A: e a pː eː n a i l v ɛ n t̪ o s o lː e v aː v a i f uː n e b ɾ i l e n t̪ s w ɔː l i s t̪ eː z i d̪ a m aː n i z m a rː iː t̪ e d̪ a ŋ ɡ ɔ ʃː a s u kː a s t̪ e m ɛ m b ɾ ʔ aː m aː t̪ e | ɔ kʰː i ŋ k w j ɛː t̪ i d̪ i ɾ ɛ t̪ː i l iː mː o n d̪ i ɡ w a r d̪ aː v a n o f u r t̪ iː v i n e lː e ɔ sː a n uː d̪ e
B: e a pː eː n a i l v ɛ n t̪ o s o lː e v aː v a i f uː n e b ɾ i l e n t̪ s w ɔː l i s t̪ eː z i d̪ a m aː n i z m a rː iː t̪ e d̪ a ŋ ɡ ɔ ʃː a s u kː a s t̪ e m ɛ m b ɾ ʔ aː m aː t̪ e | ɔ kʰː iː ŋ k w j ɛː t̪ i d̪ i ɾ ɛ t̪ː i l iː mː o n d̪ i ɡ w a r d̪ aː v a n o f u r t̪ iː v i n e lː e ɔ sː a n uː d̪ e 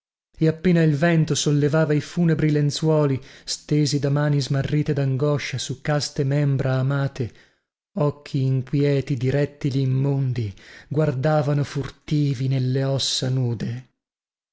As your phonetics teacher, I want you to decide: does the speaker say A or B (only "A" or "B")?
B